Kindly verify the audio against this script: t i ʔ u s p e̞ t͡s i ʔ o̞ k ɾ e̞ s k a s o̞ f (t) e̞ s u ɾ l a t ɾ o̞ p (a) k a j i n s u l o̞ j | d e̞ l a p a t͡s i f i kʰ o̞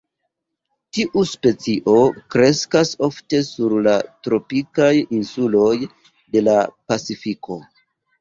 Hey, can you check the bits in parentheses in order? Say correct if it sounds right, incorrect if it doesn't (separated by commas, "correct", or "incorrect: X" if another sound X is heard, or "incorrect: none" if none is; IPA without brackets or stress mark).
correct, incorrect: i